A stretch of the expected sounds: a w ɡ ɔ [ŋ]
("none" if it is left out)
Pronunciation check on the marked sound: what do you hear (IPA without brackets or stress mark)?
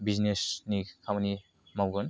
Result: n